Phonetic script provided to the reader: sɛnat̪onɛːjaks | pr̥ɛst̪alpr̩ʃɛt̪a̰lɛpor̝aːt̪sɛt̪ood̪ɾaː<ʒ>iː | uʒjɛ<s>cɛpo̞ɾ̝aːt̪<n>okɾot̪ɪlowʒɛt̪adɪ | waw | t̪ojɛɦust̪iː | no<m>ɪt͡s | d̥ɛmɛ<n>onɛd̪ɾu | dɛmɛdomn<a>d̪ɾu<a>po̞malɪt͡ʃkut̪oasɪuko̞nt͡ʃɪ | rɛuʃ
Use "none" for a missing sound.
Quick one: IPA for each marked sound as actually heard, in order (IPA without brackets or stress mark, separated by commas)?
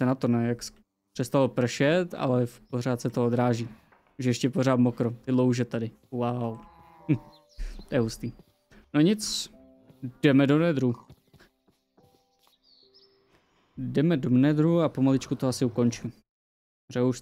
ʒ, ʃ, m, ɲ, d, ɛ, a